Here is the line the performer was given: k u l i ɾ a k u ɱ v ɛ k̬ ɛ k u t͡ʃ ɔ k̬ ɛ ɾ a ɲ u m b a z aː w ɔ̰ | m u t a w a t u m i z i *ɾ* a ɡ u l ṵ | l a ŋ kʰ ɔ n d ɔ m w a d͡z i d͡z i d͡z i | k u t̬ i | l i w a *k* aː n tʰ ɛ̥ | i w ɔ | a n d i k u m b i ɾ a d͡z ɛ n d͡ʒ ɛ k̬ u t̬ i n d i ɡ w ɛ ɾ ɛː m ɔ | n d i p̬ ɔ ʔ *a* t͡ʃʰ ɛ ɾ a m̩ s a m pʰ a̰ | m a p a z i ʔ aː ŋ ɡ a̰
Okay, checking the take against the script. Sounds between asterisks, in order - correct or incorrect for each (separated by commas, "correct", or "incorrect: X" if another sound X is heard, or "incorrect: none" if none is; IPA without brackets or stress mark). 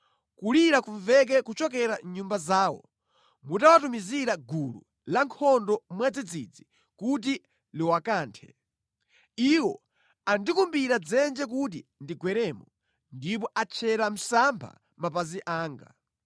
correct, correct, correct